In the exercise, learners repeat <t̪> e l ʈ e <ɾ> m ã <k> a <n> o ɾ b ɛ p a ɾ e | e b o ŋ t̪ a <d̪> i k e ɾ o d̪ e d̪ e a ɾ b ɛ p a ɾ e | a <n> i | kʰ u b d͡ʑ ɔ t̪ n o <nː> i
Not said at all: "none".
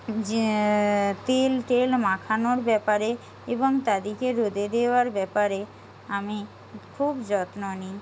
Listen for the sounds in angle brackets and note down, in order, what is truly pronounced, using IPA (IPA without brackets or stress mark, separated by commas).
t̪, l, kʰ, n, d̪, m, n